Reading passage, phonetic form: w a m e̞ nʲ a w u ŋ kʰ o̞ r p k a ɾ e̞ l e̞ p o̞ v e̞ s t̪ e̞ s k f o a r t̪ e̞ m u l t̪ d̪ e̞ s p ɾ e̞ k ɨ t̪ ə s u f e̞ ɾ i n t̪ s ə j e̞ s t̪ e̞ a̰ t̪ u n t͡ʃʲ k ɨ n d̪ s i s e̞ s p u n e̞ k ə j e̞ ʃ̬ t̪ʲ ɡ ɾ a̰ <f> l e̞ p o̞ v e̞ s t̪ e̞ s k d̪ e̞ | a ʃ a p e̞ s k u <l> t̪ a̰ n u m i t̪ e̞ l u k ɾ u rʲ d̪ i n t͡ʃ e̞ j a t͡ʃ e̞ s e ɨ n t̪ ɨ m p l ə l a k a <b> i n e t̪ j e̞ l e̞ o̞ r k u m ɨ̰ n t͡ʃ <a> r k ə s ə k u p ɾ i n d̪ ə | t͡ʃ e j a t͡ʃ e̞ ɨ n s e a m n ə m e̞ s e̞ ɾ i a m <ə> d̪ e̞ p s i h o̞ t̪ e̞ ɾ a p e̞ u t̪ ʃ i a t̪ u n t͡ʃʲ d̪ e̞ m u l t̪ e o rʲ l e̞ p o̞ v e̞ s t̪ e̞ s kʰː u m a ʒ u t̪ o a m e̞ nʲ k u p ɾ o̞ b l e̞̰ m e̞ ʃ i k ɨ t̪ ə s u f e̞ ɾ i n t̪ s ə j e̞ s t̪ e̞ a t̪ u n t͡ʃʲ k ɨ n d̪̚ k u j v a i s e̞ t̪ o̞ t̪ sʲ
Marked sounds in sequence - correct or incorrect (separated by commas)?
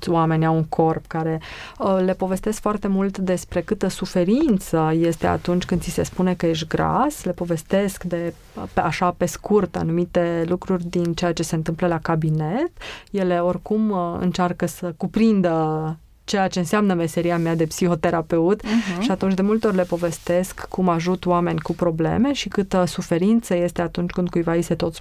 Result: incorrect, incorrect, correct, correct, incorrect